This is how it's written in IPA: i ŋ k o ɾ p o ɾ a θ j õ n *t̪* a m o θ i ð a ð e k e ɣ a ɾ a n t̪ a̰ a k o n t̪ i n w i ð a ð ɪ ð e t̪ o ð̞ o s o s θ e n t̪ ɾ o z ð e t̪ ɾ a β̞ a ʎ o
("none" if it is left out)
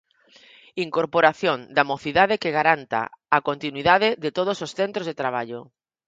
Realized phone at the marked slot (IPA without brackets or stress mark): d̪